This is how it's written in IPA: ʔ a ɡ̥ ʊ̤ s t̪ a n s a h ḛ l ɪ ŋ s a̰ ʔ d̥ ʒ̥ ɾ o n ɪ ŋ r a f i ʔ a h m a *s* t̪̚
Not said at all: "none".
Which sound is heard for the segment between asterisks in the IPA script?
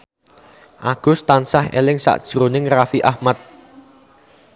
none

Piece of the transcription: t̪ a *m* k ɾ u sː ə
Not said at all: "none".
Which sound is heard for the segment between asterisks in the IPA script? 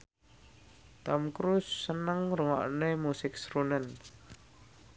m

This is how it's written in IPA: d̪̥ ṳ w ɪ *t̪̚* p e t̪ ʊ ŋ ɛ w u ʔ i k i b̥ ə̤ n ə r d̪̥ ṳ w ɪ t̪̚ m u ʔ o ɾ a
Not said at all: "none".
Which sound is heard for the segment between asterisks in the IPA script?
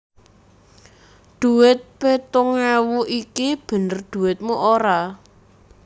t̪̚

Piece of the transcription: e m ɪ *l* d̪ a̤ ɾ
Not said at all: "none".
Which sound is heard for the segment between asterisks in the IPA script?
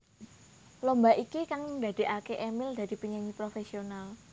l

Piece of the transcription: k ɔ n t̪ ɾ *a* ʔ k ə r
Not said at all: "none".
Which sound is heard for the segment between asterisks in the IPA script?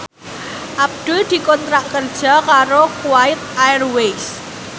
a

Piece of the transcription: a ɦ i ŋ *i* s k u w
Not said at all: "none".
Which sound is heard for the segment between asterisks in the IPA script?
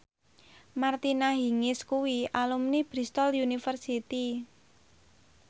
ɪ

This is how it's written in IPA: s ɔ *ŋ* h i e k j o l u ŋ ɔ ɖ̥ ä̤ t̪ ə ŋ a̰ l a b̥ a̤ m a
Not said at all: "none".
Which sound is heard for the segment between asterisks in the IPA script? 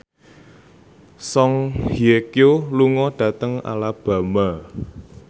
ŋ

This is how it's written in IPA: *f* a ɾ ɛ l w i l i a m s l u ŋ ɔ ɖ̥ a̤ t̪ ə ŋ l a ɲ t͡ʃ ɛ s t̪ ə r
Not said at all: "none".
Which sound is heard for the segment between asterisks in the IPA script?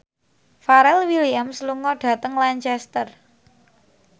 f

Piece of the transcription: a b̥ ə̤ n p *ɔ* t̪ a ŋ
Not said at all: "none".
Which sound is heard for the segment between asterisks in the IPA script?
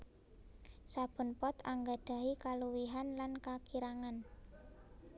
ɔ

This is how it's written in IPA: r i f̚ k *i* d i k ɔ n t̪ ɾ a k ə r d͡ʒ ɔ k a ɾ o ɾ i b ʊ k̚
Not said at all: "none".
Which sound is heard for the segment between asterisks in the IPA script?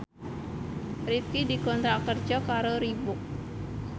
i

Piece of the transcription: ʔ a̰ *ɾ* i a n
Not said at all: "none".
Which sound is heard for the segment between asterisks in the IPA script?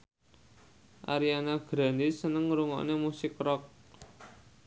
ɾ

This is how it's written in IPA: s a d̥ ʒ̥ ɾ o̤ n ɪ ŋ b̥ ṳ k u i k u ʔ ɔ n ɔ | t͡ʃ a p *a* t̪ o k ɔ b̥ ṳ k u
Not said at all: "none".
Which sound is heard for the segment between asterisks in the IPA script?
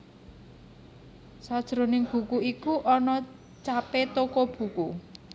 e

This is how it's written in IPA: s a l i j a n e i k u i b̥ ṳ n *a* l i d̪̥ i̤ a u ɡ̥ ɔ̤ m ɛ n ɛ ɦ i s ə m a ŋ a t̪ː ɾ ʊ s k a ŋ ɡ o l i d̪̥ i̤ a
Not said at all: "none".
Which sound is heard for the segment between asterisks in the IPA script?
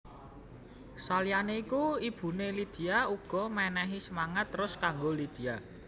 e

